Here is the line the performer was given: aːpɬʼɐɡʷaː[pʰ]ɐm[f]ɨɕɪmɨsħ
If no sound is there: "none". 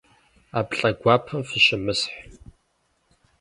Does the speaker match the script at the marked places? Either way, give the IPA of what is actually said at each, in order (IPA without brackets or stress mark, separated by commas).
pʰ, f